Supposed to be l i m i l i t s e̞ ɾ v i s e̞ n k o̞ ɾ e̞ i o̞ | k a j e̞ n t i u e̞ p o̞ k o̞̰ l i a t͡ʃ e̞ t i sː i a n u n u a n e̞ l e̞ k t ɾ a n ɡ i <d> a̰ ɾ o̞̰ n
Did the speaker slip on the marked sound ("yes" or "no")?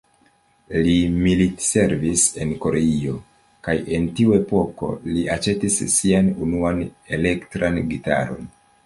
yes